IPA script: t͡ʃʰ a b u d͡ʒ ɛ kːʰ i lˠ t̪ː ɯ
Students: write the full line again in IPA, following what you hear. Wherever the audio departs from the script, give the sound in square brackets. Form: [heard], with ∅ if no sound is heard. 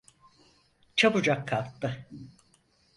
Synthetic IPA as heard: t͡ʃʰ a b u d͡ʒ [a] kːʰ [a] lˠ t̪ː ɯ